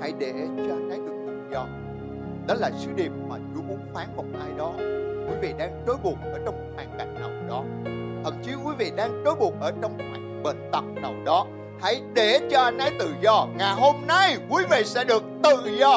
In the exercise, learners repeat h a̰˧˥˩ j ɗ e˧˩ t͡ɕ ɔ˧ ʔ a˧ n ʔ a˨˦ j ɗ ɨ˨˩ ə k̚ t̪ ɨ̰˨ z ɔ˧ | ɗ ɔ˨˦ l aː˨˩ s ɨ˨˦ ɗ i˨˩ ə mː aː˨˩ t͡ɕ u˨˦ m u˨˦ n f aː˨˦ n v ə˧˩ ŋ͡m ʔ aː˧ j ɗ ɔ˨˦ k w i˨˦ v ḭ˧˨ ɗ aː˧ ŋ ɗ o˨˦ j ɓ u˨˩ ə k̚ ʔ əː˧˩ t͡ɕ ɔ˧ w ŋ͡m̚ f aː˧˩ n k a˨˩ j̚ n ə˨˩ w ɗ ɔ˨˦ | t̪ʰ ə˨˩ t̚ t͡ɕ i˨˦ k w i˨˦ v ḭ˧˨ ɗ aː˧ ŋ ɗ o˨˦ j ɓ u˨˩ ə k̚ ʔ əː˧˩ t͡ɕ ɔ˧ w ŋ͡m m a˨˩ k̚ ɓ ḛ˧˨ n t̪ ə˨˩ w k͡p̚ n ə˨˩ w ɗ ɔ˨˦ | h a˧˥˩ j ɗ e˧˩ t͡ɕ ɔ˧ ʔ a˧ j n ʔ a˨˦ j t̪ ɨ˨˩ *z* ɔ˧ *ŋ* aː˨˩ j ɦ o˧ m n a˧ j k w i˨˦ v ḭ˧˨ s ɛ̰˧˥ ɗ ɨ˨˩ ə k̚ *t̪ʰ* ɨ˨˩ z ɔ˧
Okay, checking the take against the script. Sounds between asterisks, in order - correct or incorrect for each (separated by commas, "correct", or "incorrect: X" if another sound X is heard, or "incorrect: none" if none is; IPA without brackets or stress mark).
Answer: correct, correct, incorrect: t̪